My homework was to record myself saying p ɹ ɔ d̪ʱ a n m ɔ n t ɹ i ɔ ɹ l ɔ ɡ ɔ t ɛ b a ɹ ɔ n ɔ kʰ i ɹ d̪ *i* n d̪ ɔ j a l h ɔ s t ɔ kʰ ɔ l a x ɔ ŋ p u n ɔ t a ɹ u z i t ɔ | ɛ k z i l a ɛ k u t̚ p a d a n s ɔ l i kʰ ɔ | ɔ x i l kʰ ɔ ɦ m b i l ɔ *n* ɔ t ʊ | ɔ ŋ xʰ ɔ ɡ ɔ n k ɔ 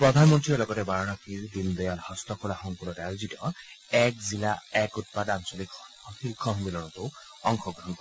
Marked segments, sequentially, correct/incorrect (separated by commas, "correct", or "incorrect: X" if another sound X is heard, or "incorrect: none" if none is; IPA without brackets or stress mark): correct, correct